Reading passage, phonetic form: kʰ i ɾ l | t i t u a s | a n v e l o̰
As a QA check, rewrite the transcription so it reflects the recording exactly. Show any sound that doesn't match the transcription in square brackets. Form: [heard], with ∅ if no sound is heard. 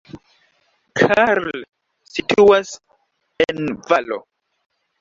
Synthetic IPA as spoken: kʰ [a] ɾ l | [s] i t u a s | [e] n v [a] l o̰

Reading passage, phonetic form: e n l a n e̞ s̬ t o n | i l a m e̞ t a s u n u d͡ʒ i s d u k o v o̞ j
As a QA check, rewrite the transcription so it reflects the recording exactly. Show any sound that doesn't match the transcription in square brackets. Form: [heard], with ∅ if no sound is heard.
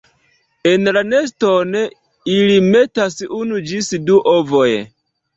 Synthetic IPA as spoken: e n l a n e̞ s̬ t o n | i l [i] m e̞ t a s u n u d͡ʒ i s d u [ʔ] o v o̞ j

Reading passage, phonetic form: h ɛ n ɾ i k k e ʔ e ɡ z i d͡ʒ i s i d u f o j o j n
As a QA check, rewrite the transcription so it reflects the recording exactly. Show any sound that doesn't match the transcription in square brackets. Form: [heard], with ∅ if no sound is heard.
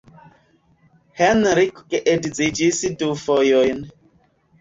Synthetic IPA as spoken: h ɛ n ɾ i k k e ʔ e [d] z i d͡ʒ i s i d u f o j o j n

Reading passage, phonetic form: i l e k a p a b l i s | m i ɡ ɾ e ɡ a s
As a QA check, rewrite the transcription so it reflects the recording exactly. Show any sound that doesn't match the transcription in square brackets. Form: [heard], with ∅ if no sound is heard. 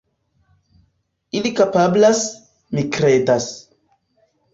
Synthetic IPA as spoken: i l [i] k a p a b l [a] s | m i [k] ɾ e [d] a s

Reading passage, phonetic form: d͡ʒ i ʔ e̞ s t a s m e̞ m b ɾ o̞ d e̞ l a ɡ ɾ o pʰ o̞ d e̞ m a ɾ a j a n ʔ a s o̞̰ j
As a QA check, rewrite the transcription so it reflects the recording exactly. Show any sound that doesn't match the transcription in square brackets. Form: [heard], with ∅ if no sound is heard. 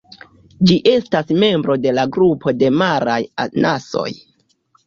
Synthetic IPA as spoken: d͡ʒ i ʔ e̞ s t a s m e̞ m b ɾ o̞ d e̞ l a ɡ ɾ [u] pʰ o̞ d e̞ m a ɾ a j a n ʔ a s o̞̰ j

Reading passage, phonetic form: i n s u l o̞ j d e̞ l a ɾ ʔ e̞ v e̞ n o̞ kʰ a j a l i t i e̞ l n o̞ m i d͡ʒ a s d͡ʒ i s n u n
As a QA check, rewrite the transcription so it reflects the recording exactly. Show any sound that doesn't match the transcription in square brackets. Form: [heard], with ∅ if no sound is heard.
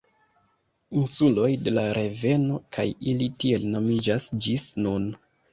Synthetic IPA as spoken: i n s u l o̞ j d e̞ l a ɾ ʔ e̞ v e̞ n o̞ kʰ a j [i] l i t i e̞ l n o̞ m i d͡ʒ a s d͡ʒ i s n u n

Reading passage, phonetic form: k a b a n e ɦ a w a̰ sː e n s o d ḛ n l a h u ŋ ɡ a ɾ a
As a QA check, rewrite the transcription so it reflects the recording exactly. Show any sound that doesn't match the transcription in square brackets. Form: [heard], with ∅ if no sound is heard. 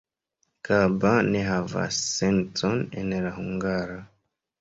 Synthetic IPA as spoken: k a b a n e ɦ a [v] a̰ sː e n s o [n] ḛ n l a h u ŋ ɡ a ɾ a

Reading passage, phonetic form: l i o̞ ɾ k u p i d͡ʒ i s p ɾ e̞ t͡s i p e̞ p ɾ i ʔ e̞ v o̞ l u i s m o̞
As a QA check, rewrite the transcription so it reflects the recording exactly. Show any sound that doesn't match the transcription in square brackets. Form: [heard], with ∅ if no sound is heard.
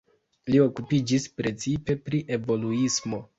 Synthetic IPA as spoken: l i o̞ [∅] k u p i d͡ʒ i s p ɾ e̞ t͡s i p e̞ p ɾ i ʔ e̞ v o̞ l u i s m o̞

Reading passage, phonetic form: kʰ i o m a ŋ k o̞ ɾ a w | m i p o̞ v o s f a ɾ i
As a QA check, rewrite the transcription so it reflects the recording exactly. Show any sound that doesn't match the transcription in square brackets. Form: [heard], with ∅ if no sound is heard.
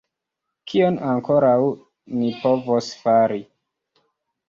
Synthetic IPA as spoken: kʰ i o [n] a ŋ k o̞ ɾ a w | [n] i p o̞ v o s f a ɾ i

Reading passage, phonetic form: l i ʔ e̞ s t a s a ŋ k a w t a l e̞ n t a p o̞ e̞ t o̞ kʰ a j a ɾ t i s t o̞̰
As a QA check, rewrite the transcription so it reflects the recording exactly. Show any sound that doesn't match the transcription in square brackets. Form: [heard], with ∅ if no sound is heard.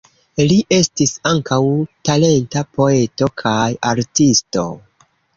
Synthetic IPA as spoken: l i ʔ e̞ s t [i] s a ŋ k a w t a l e̞ n t a p o̞ e̞ t o̞ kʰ a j a ɾ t i s t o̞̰

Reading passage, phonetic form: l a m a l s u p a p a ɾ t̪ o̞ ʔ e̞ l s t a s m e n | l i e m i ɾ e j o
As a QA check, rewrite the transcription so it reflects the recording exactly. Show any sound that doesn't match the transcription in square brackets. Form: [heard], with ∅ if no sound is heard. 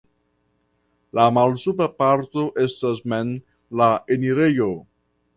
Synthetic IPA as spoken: l a m a l s u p a p a ɾ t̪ o̞ ʔ e̞ [∅] s t a s m e n | l [a] e [n] i ɾ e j o

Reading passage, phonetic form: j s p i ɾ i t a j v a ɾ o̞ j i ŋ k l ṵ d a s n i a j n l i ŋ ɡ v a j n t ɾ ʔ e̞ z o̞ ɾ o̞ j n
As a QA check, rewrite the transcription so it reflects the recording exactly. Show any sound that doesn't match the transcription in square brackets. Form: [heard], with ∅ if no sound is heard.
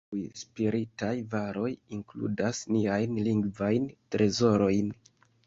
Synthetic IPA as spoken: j s p i ɾ i t a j v a ɾ o̞ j i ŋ k l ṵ d a s n i a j n l i ŋ ɡ v a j n t ɾ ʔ e̞ z o̞ ɾ o̞ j n

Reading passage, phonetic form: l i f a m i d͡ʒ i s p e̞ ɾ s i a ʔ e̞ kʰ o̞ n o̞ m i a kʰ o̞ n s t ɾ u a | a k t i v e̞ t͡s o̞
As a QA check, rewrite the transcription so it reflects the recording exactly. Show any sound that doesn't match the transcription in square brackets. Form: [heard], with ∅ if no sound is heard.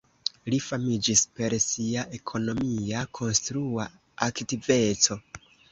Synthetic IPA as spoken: l i f a m i d͡ʒ i s p e̞ ɾ s i a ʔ e̞ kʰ o̞ n o̞ m i a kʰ o̞ n s t ɾ u a | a k t i v e̞ t͡s o̞

